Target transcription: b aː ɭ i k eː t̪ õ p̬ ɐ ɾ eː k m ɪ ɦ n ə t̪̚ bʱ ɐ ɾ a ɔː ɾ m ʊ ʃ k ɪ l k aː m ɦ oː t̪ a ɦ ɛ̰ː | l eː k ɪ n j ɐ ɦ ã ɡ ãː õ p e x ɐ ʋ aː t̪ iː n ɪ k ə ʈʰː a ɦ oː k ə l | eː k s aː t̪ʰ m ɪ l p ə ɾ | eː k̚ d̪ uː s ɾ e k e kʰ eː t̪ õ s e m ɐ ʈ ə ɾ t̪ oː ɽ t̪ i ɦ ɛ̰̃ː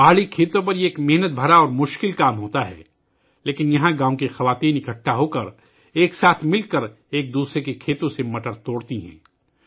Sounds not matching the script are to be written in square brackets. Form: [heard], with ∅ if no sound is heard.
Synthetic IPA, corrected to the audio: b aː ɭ i [kʰ] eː t̪ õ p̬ ɐ ɾ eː k m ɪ ɦ n ə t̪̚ bʱ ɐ ɾ a ɔː ɾ m ʊ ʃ k ɪ l k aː m ɦ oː t̪ a ɦ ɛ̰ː | l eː k ɪ n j ɐ ɦ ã ɡ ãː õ [k] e x ɐ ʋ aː t̪ iː n ɪ k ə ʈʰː a ɦ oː k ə [ɾ] | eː k s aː t̪ʰ m ɪ l [k] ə ɾ | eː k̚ d̪ uː s ɾ e k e kʰ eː t̪ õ s e m ɐ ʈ ə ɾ t̪ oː ɽ t̪ i ɦ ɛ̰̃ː